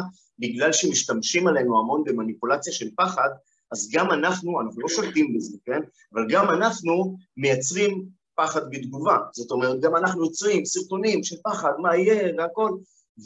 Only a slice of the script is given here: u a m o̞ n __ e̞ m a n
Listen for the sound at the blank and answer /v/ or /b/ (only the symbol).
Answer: b